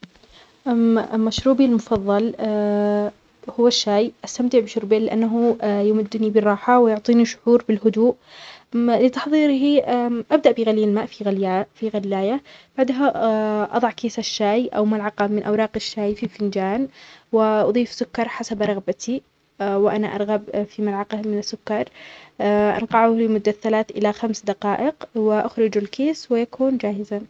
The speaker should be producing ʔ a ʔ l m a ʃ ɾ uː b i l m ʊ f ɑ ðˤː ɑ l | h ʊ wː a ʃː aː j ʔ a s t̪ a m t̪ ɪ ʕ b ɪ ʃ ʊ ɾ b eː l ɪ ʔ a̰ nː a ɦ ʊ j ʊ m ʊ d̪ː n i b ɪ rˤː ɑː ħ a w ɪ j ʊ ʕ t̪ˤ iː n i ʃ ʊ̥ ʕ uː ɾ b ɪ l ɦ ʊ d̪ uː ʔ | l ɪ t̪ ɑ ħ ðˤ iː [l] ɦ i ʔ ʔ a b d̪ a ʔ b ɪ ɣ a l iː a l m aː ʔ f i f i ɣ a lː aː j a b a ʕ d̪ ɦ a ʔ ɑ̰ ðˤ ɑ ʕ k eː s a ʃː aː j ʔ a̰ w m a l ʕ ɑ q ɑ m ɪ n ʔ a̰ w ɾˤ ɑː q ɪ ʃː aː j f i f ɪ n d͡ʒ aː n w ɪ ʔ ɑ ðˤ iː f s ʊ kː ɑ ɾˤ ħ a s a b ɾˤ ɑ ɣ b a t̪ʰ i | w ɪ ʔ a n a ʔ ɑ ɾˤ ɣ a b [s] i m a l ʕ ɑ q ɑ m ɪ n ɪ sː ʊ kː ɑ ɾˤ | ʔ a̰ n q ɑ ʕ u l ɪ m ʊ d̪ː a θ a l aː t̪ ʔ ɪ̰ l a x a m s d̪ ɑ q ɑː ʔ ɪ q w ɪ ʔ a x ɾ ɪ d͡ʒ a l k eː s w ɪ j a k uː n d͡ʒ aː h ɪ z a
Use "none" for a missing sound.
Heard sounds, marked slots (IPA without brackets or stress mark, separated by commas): ɾ, f